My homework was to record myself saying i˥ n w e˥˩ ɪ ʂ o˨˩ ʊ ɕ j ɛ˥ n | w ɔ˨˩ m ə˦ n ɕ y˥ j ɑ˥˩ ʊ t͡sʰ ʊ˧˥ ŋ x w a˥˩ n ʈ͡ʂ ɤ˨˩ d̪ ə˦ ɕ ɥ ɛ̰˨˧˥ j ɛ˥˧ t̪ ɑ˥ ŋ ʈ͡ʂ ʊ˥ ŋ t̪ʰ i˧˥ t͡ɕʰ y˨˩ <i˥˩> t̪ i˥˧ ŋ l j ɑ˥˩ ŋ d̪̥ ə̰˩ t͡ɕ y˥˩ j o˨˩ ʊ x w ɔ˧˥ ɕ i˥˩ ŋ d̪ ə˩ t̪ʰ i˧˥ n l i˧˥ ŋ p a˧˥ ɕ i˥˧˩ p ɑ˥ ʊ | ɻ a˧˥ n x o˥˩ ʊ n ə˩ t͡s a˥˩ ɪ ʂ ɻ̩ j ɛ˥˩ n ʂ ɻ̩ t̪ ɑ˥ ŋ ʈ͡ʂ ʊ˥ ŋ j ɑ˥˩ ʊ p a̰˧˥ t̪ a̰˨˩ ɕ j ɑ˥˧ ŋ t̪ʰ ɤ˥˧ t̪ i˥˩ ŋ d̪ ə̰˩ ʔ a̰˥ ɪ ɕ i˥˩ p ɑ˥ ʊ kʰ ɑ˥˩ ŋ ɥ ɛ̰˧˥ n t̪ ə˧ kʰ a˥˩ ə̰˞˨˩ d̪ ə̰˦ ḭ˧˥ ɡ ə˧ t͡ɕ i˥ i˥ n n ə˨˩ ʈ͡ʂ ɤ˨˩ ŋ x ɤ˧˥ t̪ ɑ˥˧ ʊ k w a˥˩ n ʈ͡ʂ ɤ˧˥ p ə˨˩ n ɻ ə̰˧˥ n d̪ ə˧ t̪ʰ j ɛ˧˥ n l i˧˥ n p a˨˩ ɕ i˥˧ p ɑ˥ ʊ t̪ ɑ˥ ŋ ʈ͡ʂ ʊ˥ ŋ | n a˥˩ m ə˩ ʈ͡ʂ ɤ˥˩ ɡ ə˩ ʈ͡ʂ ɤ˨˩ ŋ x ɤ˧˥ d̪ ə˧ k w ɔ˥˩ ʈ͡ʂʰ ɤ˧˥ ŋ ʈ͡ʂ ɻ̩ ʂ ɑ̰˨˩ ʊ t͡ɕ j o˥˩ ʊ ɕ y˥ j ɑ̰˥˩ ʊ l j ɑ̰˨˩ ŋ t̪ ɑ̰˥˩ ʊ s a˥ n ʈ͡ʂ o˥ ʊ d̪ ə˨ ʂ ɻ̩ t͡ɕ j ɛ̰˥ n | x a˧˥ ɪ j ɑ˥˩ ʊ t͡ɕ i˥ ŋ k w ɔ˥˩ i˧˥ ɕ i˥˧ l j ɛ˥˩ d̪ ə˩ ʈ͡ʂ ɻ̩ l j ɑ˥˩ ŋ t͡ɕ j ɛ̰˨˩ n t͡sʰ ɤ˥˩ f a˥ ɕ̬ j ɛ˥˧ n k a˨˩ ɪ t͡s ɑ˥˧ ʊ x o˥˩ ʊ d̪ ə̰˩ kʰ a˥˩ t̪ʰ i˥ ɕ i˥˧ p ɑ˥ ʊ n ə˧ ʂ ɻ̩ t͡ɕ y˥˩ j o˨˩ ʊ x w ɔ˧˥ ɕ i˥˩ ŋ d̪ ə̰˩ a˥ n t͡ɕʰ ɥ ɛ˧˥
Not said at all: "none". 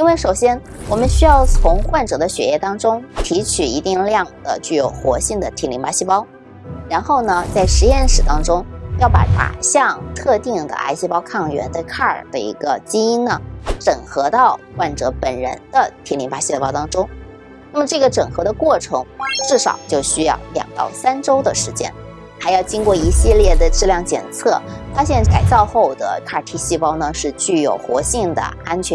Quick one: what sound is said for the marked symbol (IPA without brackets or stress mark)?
i˧˥